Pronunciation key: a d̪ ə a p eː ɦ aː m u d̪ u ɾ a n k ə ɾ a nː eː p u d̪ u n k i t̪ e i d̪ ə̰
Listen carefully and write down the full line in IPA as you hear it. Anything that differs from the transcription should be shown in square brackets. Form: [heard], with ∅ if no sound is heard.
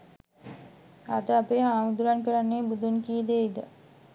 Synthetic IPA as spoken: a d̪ ə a p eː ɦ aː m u d̪ u ɾ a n k ə ɾ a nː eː [b] u d̪ u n k i [d̪] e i d̪ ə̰